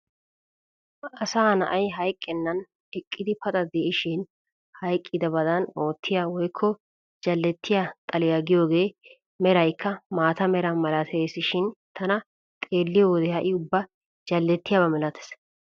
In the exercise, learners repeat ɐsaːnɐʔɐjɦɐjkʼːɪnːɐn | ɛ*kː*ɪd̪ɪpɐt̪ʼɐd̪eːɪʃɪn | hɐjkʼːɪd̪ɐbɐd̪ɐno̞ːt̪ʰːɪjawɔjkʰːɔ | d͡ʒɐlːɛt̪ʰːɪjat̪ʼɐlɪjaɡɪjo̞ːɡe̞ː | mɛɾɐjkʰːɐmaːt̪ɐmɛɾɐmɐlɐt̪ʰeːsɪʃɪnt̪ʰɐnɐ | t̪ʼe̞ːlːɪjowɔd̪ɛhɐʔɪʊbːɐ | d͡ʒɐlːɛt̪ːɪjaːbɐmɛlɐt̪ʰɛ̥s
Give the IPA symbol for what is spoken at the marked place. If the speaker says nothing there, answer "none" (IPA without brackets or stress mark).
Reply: kʼː